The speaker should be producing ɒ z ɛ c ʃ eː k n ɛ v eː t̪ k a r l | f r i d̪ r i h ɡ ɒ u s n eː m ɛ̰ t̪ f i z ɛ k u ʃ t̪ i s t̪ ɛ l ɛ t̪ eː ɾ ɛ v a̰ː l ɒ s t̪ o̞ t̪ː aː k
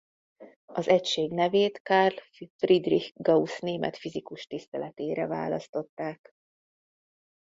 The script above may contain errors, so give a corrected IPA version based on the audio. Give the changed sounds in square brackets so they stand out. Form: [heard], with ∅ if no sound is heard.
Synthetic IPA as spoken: ɒ z ɛ c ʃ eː [ɡ] n ɛ v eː t̪ k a r l | f r i d̪ r i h ɡ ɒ u s n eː m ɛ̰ t̪ f i z [i] k u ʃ t̪ i s t̪ ɛ l ɛ t̪ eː ɾ ɛ v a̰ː l ɒ s t̪ o̞ t̪ː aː k